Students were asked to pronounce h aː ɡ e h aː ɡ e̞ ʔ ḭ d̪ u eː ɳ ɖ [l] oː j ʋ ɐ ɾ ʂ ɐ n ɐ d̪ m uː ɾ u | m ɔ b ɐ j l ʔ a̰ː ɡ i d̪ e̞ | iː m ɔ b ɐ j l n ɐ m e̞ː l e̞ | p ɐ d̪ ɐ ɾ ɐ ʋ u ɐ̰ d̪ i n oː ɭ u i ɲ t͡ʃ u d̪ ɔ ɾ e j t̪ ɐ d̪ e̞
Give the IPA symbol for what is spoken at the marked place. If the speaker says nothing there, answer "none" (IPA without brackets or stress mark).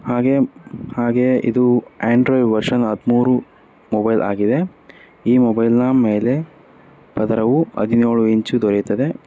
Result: ɾ